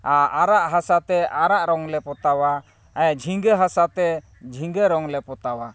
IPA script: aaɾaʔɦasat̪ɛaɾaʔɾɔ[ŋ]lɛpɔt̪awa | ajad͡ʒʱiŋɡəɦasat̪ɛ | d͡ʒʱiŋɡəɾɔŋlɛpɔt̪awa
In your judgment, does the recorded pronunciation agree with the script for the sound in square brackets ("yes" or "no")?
yes